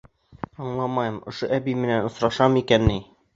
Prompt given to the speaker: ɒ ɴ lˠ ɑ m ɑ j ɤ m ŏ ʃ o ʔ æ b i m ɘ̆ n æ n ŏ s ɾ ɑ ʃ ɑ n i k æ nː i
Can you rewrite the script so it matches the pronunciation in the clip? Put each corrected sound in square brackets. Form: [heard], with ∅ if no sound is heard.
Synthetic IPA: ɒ ɴ lˠ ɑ m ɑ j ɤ m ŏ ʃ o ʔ æ b i m ɘ̆ n æ n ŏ s ɾ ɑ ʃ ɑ [m] i k æ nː i